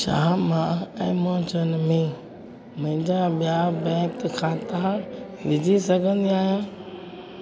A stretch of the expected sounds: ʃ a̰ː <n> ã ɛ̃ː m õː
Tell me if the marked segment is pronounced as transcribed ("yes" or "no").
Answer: no